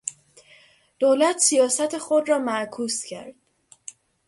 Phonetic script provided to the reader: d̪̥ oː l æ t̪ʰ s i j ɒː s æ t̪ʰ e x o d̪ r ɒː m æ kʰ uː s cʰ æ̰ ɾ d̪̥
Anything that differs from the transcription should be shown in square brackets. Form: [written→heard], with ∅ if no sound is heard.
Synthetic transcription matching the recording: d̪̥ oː l æ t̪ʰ s i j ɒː s æ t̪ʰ e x o d̪ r ɒː m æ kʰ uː s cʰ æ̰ ɾ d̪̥